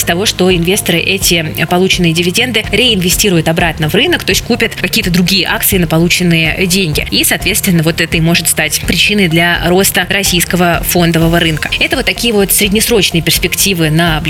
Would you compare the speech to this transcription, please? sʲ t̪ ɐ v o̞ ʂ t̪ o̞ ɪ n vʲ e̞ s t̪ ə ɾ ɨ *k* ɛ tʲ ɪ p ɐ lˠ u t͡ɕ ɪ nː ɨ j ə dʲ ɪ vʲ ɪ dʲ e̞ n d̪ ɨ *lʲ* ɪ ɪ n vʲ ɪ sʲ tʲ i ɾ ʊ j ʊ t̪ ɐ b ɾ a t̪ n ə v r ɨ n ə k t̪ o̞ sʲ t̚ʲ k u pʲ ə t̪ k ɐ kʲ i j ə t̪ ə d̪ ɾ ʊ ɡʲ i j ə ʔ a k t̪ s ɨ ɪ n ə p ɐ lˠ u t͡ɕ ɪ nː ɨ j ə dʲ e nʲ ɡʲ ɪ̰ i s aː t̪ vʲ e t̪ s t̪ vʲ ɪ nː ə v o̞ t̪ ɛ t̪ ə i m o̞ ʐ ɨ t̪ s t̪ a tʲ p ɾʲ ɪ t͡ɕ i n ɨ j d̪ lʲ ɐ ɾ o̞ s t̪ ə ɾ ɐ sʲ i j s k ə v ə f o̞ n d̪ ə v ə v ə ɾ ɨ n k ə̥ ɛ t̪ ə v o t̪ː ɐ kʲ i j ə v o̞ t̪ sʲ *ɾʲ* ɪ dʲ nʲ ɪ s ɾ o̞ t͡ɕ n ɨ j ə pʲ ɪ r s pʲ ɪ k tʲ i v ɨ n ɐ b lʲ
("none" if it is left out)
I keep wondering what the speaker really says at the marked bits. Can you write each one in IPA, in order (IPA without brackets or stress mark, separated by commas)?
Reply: ʔ, ɾʲ, ɾʲ